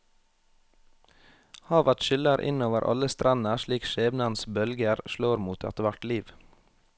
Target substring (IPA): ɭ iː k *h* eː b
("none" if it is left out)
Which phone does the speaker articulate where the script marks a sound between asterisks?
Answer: ʃ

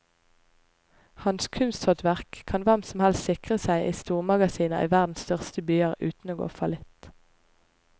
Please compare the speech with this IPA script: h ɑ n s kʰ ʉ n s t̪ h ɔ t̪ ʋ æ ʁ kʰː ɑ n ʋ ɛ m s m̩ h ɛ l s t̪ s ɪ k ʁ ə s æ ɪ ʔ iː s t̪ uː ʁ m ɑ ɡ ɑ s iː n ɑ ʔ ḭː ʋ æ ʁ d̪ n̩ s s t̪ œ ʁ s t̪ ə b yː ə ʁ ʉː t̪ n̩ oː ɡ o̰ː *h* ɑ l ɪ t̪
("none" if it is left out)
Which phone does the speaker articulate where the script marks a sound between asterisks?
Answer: f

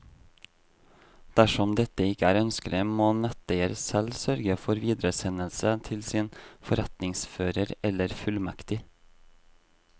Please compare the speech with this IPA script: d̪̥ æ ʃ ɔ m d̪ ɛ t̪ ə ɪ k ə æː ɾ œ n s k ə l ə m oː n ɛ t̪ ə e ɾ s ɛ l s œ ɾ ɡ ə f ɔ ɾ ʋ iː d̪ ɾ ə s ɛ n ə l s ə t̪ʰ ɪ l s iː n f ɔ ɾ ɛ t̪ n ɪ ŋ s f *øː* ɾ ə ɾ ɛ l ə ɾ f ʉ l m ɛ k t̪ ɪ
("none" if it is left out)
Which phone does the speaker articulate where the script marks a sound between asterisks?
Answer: øː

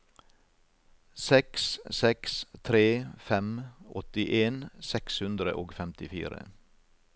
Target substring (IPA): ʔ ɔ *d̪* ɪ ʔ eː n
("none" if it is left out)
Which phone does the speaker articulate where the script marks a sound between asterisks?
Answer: t̪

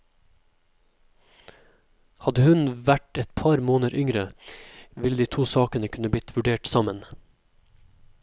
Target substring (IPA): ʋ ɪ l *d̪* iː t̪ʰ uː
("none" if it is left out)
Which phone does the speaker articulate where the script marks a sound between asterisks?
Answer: d̪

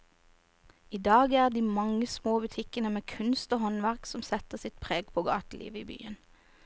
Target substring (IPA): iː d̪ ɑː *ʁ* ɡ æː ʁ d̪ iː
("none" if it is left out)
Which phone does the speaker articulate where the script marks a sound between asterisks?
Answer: none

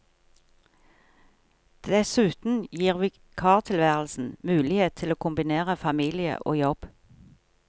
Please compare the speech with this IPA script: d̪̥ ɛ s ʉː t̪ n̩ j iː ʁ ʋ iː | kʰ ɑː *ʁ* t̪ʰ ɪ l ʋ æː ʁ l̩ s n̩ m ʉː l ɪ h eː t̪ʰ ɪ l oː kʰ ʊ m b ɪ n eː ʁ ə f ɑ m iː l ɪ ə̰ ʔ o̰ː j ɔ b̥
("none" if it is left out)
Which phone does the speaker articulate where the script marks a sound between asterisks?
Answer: ʁ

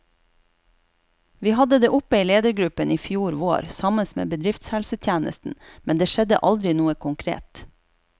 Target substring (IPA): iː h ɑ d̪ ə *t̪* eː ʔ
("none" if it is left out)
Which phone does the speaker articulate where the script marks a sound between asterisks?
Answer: d̪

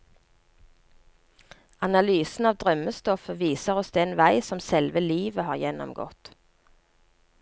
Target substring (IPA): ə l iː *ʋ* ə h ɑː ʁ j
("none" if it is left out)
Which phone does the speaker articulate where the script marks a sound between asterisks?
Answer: ʋ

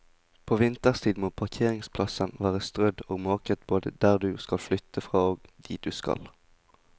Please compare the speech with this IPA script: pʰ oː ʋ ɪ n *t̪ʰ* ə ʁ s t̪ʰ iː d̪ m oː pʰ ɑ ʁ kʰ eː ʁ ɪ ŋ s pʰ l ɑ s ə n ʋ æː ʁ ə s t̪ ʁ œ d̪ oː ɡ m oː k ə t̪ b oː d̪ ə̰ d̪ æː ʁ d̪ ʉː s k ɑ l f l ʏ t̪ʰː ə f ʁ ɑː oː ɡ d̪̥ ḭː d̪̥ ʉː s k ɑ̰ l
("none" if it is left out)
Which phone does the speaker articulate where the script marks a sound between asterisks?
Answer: t̪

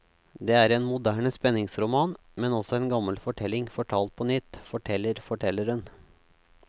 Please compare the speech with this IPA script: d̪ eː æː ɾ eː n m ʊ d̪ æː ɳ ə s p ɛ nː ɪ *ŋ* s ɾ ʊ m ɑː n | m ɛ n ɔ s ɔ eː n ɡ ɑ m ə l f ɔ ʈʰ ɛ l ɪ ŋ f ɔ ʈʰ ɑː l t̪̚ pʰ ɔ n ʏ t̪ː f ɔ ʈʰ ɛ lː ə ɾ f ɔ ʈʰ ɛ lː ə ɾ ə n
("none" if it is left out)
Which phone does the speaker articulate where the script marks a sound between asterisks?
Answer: ŋ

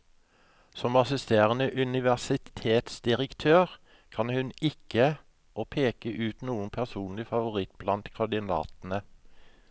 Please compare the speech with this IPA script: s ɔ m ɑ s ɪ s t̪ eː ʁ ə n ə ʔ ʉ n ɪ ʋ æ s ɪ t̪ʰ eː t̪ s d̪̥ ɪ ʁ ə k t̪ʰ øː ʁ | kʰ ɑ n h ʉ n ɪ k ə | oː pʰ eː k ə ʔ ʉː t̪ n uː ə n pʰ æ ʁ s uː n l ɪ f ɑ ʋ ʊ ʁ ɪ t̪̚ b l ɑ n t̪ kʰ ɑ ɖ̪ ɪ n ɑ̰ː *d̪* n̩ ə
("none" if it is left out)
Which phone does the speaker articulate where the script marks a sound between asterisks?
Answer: t̪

